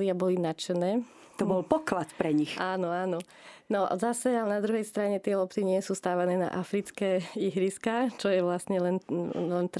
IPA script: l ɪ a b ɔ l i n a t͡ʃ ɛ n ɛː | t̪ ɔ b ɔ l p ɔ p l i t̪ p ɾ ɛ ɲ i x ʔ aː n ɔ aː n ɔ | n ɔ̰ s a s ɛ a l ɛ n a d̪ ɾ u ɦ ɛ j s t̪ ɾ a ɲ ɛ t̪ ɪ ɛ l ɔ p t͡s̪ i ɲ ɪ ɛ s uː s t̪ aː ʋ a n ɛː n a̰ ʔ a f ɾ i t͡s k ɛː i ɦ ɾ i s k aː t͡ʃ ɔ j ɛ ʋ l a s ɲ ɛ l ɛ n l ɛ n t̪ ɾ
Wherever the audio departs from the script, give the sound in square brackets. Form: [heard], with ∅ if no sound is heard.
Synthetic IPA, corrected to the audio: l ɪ a b ɔ l i n a t͡ʃ ɛ n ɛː | t̪ ɔ b ɔ l p ɔ [k] l [a] t̪ p ɾ ɛ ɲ i x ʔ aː n ɔ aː n ɔ | n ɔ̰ [z] a s ɛ a l ɛ n a d̪ ɾ u ɦ ɛ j s t̪ ɾ a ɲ ɛ t̪ ɪ ɛ l ɔ p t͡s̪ i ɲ ɪ ɛ s uː s t̪ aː ʋ a n ɛː n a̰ ʔ a f ɾ i t͡s k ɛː i ɦ ɾ i s k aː t͡ʃ ɔ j ɛ ʋ l a s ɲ ɛ l ɛ n l ɛ n t̪ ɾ